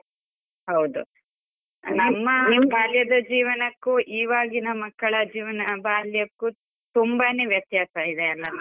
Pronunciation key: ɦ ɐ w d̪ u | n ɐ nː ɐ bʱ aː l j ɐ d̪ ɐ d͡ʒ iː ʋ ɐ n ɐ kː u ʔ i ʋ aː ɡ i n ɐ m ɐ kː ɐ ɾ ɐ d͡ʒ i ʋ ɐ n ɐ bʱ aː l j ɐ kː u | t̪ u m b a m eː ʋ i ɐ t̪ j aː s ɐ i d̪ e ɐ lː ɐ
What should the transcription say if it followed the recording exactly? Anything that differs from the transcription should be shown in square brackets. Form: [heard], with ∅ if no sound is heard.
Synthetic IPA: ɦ ɐ w d̪ u | n ɐ [mː] ɐ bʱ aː l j ɐ d̪ ɐ d͡ʒ iː ʋ ɐ n ɐ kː u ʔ [iː] ʋ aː ɡ i n ɐ m ɐ kː ɐ [ɭ] ɐ d͡ʒ [iː] ʋ ɐ n ɐ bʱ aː l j ɐ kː u | t̪ u m b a [n] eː ʋ [j] ɐ t̪ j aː s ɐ i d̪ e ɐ lː ɐ